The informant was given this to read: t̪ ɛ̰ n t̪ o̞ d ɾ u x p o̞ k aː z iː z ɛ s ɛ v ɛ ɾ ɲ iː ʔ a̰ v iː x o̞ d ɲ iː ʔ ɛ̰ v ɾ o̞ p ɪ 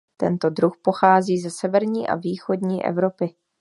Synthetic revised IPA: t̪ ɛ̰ n t̪ o̞ d ɾ u x p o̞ x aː z iː z ɛ s ɛ v ɛ ɾ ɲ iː ʔ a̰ v iː x o̞ d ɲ iː ʔ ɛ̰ v ɾ o̞ p ɪ